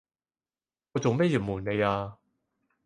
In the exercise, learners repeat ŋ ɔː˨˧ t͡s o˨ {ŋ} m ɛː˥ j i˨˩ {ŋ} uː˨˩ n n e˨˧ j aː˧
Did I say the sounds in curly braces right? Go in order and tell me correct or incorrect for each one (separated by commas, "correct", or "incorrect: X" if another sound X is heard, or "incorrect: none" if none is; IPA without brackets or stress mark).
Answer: correct, incorrect: m